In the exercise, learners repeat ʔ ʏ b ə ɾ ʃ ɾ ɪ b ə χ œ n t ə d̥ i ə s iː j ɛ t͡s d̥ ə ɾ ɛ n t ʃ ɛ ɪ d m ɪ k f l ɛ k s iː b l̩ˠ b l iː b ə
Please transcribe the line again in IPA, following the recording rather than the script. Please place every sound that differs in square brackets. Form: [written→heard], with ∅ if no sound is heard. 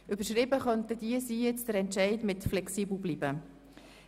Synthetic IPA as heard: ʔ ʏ b ə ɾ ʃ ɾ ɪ b ə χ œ n t ə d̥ i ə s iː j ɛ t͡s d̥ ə ɾ ɛ n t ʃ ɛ ɪ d m ɪ [k→t] f l ɛ k s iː b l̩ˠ b l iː b ə